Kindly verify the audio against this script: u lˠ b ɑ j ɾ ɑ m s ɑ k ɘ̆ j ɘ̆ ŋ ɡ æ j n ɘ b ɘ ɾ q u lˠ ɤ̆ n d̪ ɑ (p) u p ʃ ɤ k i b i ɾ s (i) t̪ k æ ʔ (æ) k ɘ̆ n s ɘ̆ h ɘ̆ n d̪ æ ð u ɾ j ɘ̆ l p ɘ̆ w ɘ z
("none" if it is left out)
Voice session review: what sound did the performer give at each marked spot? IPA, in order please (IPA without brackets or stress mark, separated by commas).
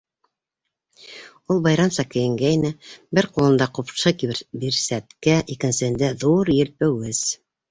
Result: q, æ, i